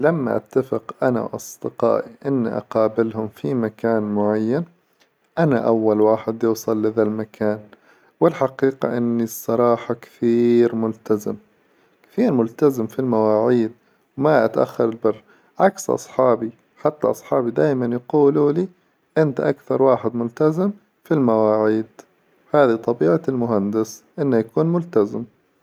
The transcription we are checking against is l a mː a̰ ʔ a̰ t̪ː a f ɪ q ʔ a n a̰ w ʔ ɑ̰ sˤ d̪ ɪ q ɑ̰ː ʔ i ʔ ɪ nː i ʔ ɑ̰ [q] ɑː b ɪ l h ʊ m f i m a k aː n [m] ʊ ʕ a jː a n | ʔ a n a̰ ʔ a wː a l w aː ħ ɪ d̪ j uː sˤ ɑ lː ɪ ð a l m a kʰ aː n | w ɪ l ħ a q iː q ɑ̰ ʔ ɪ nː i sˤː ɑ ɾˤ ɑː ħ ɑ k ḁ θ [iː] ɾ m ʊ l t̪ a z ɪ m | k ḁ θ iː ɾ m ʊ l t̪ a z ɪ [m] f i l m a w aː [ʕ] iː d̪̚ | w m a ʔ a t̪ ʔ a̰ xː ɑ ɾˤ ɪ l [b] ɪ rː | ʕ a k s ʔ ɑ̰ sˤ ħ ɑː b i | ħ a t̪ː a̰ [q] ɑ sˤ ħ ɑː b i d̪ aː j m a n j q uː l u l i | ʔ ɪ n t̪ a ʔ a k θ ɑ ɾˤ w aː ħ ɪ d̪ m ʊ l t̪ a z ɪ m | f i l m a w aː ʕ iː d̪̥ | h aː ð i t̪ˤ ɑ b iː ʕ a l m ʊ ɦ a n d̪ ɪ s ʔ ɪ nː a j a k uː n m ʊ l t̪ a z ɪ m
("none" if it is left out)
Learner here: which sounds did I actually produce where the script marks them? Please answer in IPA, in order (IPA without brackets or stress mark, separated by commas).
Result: q, m, iː, m, ʕ, b, ʔ